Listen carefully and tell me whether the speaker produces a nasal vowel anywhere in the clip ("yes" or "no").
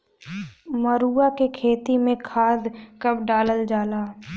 yes